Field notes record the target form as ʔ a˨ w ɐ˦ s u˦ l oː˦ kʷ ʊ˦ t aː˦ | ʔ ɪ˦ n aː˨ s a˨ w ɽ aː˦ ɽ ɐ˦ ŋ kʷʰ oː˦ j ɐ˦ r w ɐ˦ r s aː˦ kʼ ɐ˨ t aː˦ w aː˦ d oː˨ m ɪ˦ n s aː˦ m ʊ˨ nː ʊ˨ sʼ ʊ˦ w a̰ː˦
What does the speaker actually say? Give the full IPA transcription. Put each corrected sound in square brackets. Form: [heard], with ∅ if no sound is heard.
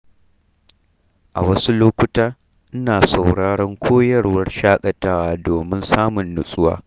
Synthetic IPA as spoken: ʔ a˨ w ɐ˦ s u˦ l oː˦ kʷ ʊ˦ t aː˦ | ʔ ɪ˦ n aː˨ s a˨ w ɽ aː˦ ɽ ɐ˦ ŋ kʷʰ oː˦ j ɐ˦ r w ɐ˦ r [ʃ] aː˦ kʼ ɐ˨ t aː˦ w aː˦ d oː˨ m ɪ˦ n s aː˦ m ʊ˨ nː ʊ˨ sʼ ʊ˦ w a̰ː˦